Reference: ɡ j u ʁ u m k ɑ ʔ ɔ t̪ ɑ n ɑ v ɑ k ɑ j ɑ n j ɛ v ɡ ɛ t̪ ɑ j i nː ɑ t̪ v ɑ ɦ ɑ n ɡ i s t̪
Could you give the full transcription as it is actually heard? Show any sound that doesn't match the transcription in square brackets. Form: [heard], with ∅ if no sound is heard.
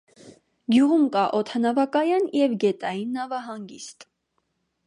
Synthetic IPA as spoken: ɡ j u ʁ u m k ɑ ʔ ɔ [t̪ʰ] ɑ n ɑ v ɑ k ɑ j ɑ n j ɛ v ɡ ɛ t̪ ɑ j i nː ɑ [∅] v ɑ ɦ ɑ [ŋ] ɡ i s t̪